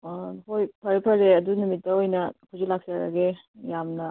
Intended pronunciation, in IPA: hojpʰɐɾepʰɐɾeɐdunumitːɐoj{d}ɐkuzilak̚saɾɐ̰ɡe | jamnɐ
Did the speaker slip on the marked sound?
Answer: yes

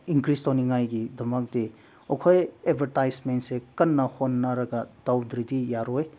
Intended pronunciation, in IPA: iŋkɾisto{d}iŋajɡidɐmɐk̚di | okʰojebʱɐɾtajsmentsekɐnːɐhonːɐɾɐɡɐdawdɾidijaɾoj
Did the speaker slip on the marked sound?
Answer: yes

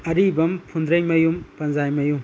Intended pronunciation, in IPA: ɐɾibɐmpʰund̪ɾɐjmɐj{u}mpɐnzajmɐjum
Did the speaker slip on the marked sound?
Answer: no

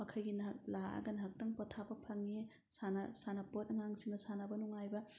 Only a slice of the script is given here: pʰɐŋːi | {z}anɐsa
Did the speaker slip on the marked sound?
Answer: yes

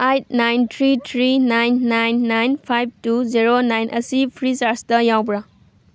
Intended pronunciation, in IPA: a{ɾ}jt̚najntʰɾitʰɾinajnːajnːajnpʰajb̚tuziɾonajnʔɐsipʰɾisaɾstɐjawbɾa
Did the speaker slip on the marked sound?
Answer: yes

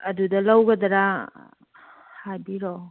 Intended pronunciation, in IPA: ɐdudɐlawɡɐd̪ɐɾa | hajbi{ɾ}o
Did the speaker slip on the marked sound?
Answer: no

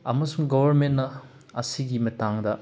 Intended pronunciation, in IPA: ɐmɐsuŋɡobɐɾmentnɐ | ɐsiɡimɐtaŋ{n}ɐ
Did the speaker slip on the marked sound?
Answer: yes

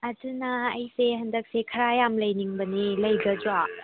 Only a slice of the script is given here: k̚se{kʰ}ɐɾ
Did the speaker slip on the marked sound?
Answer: no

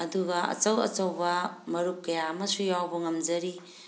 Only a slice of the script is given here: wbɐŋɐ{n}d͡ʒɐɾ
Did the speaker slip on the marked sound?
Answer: yes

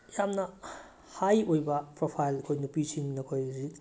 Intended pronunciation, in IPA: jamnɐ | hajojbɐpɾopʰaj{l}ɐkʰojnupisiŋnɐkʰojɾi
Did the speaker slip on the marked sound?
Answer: no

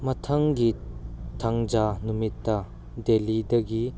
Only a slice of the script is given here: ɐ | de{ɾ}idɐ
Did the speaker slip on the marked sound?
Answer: yes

